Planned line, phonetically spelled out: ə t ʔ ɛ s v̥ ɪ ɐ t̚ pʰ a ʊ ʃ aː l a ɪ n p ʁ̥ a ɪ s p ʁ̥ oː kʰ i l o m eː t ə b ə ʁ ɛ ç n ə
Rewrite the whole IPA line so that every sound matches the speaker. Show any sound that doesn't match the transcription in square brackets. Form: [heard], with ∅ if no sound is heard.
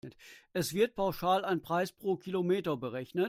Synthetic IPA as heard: ə t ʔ ɛ s v̥ ɪ ɐ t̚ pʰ a ʊ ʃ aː l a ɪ n p ʁ̥ a ɪ s p ʁ̥ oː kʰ i l o m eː t [ɐ] b ə ʁ ɛ ç n ə